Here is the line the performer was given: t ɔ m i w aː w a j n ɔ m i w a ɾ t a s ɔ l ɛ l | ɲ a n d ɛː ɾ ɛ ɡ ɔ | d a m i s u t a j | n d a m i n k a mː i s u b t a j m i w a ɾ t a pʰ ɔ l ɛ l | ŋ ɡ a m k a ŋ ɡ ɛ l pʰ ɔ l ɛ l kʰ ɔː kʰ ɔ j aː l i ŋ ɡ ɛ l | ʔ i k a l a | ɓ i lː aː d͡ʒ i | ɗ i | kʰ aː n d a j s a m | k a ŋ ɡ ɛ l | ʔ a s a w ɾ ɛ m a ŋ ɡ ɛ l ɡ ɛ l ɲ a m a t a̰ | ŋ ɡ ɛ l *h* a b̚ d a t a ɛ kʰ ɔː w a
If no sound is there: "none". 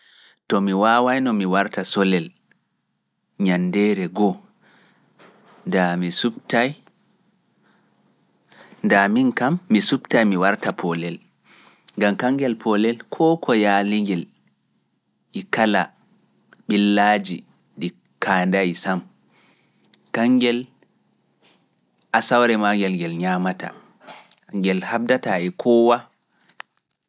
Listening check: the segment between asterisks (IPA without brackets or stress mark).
h